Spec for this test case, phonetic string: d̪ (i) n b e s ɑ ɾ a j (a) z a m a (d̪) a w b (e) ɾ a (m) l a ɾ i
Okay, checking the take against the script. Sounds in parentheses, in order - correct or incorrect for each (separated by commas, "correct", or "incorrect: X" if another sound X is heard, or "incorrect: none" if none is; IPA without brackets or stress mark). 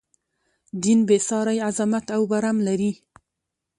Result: correct, correct, incorrect: t̪, incorrect: a, correct